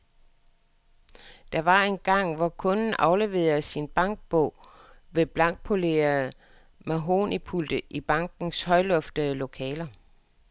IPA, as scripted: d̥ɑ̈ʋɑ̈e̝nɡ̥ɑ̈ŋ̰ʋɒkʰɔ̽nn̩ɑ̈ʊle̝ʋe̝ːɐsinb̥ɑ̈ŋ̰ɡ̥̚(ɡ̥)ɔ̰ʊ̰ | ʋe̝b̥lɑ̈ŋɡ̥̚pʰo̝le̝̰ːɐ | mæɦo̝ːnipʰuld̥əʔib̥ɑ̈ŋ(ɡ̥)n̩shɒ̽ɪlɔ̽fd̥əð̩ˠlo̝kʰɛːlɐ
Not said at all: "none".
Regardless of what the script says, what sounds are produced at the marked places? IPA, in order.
b̥, ɡ̥

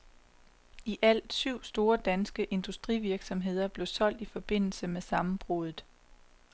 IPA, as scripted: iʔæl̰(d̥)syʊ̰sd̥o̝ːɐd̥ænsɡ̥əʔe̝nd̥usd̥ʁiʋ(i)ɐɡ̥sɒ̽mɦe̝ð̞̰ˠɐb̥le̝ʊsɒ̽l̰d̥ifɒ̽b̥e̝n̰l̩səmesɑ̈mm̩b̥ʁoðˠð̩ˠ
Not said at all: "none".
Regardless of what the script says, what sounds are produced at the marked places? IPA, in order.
d̥, i

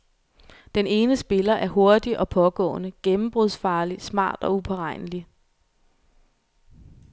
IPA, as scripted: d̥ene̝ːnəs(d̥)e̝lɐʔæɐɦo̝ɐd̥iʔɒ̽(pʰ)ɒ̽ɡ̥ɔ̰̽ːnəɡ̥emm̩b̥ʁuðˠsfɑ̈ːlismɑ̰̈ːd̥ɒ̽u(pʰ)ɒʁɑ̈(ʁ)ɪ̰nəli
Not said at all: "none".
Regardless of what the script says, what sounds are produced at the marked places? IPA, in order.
b̥, pʰ, pʰ, none

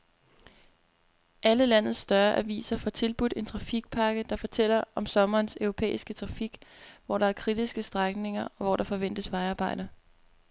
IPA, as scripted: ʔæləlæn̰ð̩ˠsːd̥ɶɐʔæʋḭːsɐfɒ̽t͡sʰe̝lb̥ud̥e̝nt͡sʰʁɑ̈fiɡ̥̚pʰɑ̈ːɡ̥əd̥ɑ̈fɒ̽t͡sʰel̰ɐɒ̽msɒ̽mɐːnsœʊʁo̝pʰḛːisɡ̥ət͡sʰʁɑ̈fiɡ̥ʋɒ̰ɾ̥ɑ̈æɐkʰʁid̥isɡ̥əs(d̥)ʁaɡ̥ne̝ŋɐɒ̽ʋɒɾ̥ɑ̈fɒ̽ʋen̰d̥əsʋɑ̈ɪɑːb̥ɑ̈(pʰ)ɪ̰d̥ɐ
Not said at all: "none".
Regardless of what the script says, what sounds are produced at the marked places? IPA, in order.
d̥, none

